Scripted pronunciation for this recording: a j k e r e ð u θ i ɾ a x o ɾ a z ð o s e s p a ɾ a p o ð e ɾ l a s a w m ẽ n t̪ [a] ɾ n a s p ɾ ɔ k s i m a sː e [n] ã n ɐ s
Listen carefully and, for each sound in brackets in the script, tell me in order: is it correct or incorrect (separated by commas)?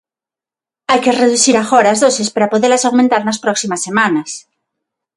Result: correct, incorrect